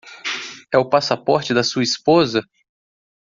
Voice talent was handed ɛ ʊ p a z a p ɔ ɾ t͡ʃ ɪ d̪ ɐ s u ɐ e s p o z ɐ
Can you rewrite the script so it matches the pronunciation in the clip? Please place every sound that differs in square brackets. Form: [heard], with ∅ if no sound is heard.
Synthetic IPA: ɛ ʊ p a [s] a p ɔ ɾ t͡ʃ ɪ d̪ ɐ s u ɐ [i] s p o z ɐ